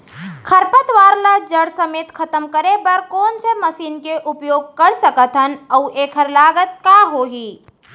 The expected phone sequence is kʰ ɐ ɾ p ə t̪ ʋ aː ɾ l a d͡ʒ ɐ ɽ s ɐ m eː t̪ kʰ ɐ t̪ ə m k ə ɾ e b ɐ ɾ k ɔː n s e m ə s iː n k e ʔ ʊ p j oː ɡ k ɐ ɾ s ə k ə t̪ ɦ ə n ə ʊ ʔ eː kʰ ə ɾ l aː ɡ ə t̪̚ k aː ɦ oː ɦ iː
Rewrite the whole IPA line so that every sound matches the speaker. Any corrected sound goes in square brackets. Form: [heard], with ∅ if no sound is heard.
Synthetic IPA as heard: kʰ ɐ ɾ p ə t̪ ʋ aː ɾ l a d͡ʒ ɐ ɽ s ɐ m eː t̪ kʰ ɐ t̪ ə m k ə ɾ e b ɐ ɾ k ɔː n s e m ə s iː n k e ʔ ʊ p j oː ɡ k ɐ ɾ s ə k ə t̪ ɦ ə n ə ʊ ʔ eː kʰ ə ɾ l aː ɡ ə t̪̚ k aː ɦ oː ɦ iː